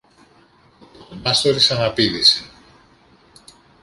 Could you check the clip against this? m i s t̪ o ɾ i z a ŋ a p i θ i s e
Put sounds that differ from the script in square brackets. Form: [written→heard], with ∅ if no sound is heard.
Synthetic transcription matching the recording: m [i→a] s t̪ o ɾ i [z→s] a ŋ a p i [θ→ð] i s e